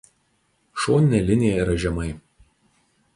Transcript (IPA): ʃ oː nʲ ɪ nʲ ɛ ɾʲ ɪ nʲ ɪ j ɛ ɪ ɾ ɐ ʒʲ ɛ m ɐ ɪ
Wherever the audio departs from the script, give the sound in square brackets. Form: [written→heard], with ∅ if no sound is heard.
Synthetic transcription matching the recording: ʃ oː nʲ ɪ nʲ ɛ [ɾʲ→lʲ] ɪ nʲ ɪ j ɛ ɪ ɾ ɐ ʒʲ ɛ m ɐ ɪ

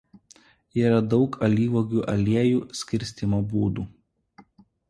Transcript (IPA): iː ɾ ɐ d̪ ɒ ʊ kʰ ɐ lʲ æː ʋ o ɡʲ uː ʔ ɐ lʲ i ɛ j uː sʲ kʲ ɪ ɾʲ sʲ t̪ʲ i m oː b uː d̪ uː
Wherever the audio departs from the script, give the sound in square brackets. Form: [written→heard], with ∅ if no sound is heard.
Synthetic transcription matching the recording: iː ɾ ɐ d̪ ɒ ʊ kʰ ɐ lʲ [æː→iː] ʋ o ɡʲ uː ʔ ɐ lʲ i ɛ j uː sʲ kʲ ɪ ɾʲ sʲ t̪ʲ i m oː b uː d̪ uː

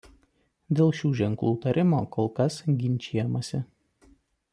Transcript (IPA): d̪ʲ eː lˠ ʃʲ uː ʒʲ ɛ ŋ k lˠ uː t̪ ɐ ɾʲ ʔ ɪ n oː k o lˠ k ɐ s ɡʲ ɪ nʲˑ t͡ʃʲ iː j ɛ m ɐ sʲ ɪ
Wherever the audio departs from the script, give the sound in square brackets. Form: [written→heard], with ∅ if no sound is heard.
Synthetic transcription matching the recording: d̪ʲ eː lˠ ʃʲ uː ʒʲ ɛ ŋ k lˠ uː t̪ ɐ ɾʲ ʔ ɪ [n→m] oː k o lˠ k ɐ s ɡʲ ɪ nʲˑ t͡ʃʲ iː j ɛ m ɐ sʲ ɪ

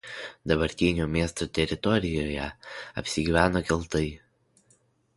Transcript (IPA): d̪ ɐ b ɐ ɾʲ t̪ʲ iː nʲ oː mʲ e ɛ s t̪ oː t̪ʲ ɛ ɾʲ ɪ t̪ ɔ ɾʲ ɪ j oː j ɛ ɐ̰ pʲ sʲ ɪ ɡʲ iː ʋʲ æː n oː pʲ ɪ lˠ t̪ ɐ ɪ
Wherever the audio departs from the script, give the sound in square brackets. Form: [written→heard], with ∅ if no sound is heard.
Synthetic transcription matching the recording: d̪ ɐ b ɐ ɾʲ t̪ʲ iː nʲ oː mʲ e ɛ s t̪ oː t̪ʲ ɛ ɾʲ ɪ t̪ ɔ ɾʲ ɪ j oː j ɛ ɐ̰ pʲ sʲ ɪ ɡʲ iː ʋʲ æː n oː [pʲ→kʲ] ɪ lˠ t̪ ɐ ɪ

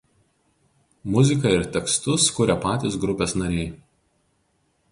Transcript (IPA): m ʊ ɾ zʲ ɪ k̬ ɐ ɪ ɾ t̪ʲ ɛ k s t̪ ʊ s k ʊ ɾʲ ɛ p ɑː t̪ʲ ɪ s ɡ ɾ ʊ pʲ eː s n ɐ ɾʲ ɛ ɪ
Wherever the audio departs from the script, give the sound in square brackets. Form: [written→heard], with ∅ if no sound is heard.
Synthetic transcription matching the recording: m ʊ [ɾ→∅] zʲ ɪ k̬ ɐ ɪ ɾ t̪ʲ ɛ k s t̪ ʊ s k ʊ ɾʲ ɛ p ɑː t̪ʲ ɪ s ɡ ɾ ʊ pʲ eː s n ɐ ɾʲ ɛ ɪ

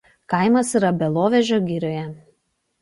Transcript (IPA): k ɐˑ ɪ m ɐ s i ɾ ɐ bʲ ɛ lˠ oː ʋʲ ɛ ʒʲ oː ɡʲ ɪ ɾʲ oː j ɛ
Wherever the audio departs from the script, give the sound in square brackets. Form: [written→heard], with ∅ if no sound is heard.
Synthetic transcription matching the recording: k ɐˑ ɪ m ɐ s i ɾ ɐ bʲ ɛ lˠ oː ʋʲ ɛ ʒʲ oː ɡʲ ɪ ɾʲ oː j ɛ

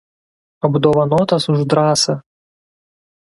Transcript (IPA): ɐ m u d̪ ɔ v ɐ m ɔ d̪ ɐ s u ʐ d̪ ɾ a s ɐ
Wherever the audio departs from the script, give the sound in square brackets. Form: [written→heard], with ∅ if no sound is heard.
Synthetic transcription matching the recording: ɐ [m→b] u d̪ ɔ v ɐ [m→n] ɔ [d̪→t̪] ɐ s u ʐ d̪ ɾ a s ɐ

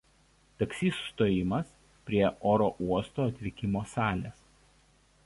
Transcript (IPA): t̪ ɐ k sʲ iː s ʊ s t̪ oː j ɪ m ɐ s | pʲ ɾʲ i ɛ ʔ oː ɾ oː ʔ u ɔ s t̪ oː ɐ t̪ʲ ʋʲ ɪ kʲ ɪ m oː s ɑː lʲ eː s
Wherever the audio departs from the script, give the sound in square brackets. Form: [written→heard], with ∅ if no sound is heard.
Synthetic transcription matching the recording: t̪ ɐ k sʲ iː s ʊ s t̪ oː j ɪ m ɐ s | pʲ ɾʲ i ɛ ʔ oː ɾ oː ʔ u ɔ s t̪ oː ɐ t̪ʲ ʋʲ ɪ kʲ ɪ m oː s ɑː lʲ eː s

